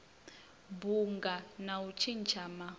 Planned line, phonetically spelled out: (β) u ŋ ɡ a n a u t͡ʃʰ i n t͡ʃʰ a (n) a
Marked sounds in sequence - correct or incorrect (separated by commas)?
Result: incorrect, incorrect